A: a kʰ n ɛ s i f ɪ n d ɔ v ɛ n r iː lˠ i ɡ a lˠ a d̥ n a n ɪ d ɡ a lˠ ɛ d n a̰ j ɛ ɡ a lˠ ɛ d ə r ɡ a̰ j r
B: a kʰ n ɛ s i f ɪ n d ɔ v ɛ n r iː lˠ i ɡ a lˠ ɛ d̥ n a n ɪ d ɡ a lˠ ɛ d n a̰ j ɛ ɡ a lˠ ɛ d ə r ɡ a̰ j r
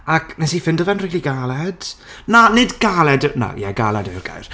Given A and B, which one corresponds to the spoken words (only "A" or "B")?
B